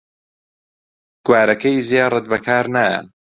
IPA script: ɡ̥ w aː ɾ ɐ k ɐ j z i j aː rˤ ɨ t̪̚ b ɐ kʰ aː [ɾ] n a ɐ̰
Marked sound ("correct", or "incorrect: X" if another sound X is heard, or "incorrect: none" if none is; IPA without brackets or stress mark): correct